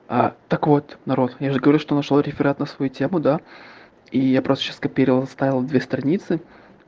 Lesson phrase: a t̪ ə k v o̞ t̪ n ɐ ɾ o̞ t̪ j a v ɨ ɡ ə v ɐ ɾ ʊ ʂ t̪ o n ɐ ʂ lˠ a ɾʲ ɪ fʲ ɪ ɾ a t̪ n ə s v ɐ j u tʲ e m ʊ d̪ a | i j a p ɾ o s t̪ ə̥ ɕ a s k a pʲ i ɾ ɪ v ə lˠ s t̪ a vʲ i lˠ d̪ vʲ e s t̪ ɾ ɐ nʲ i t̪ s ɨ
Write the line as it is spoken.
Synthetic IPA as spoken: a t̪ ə k v o̞ t̪ n ɐ ɾ o̞ t̪ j a ʐ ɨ ɡ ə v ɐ ɾ u ʂ t̪ o n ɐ ʂ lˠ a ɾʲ ɪ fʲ ɪ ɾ a t̪ n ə s v ɐ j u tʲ e m ʊ d̪ a | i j a p ɾ o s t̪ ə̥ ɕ a s k ɐ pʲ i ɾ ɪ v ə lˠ s t̪ a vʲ ɪ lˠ d̪ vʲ e s t̪ ɾ ɐ nʲ i t̪ s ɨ